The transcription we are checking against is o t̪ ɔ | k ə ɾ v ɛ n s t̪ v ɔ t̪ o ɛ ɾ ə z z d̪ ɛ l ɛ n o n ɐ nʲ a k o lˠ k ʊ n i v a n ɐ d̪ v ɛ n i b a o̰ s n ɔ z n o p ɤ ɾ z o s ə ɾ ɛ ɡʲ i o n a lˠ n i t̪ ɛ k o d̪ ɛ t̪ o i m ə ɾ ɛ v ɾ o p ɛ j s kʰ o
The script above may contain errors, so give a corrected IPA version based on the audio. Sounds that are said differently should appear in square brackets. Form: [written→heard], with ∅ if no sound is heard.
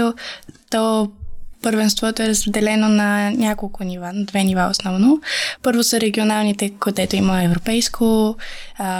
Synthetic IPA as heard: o t̪ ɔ | [k→p] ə ɾ v ɛ n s t̪ v ɔ t̪ o ɛ ɾ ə z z d̪ ɛ l ɛ n o n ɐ nʲ a k o lˠ k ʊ n i v a n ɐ d̪ v ɛ n i [b→v] a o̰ s n ɔ [z→v] n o p ɤ ɾ [z→v] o s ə ɾ ɛ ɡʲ i o n a lˠ n i t̪ ɛ k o d̪ ɛ t̪ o i m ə [ɾ→∅] ɛ v ɾ o p ɛ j s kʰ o